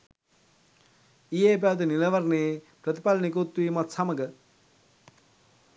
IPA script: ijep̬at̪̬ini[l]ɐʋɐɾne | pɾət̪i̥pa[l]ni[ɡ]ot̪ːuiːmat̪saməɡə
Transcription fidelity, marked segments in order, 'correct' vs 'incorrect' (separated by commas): correct, correct, incorrect